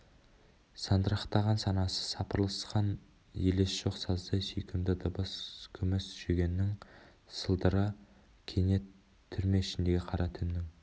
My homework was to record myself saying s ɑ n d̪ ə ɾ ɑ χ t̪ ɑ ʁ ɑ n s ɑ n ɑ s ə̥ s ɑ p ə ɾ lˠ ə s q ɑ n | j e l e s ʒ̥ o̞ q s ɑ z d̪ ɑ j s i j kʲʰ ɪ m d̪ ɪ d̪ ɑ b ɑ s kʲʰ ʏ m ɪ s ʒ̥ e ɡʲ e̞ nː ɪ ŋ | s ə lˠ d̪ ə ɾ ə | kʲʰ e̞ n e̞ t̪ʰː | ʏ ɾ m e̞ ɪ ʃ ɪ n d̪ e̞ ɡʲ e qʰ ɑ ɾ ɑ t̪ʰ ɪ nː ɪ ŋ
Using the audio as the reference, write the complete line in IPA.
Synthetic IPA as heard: s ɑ n d̪ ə ɾ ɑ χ t̪ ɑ ʁ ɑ n s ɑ n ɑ s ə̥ s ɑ p ə ɾ lˠ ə s q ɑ n | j e l e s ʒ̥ o̞ q s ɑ z d̪ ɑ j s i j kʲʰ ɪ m d̪ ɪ d̪ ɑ b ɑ s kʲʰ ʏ m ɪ s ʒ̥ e ɡʲ e̞ nː ɪ ŋ | s ə lˠ d̪ ə ɾ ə | kʲʰ e̞ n e̞ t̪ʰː | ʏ ɾ m e̞ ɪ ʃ ɪ n d̪ e̞ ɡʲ e qʰ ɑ ɾ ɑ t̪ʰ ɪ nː ɪ ŋ